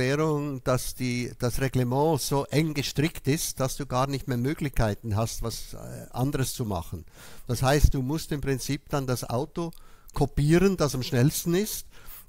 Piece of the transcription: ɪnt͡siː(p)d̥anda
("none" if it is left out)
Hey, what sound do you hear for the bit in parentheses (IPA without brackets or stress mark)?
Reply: p